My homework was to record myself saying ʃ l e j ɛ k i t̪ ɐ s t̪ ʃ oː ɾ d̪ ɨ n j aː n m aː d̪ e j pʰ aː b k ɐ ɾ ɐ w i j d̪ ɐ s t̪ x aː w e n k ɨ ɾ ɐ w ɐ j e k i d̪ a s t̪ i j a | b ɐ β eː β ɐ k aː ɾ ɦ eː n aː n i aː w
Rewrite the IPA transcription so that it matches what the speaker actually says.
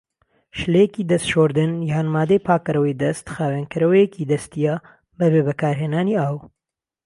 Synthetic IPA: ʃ l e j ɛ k i d̪ ɐ s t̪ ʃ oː ɾ d̪ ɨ n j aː n m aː d̪ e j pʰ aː k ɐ ɾ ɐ w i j d̪ ɐ s t̪ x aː w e n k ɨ ɾ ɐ w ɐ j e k i d̪ ɐ s t̪ i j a | b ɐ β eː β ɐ k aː ɾ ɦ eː n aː n i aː w

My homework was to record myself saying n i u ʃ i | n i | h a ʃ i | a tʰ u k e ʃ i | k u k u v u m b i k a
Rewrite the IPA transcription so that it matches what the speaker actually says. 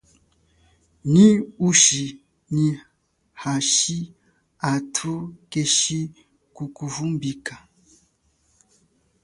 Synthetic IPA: n i u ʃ i | n i | h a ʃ i | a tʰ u k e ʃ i | k u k u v u m b i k a

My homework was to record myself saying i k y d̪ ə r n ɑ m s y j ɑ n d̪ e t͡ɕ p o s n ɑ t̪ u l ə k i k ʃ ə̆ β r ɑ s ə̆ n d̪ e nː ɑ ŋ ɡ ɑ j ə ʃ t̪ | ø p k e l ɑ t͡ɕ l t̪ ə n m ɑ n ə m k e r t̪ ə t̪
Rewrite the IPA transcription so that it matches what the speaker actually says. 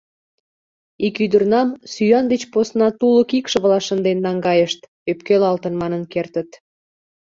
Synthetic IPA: i k y d̪ ə r n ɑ m s y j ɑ n d̪ e t͡ɕ p o s n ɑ t̪ u l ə k i k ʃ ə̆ β l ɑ ʃ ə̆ n d̪ e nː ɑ ŋ ɡ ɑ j ə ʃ t̪ | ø p k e l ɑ l t̪ ə n m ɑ n ə n k e r t̪ ə t̪

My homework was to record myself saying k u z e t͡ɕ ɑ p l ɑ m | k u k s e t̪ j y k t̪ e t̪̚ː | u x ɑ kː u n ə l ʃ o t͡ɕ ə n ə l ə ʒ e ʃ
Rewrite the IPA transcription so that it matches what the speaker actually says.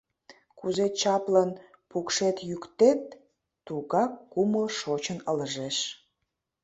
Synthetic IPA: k u z e t͡ɕ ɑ p l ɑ n | p u k ʃ e t̪ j y k t̪ e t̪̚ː | u ɣ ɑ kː u m ə l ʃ o t͡ɕ ə n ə l ə ʒ e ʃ

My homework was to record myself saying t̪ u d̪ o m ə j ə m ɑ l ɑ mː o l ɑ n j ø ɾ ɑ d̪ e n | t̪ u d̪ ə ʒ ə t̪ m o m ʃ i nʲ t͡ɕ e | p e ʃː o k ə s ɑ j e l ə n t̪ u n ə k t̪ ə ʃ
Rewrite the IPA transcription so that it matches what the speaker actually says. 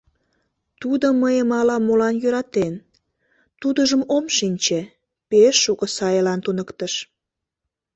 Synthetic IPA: t̪ u d̪ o m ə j ə m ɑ l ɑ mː o l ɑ n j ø ɾ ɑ t̪ e n | t̪ u d̪ ə ʒ ə m o m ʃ i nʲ t͡ɕ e | p e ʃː u k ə s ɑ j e l ɑ n t̪ u n ə k t̪ ə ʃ

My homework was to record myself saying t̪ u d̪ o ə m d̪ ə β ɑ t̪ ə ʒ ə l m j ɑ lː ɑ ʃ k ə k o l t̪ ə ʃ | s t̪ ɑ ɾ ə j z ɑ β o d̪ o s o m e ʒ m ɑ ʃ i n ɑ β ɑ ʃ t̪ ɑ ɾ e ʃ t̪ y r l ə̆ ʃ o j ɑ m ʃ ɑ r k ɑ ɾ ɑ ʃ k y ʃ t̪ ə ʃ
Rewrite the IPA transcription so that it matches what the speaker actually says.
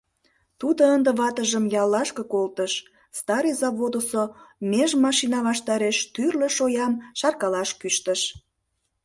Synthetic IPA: t̪ u d̪ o ə n d̪ ə β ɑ t̪ ə ʒ ə m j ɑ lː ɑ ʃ k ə k o l t̪ ə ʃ | s t̪ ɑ ɾ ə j z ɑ β o d̪ o s o m e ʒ m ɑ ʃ i n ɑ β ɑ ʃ t̪ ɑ ɾ e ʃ t̪ y r l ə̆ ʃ o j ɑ m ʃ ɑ r k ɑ l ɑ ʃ k y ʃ t̪ ə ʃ

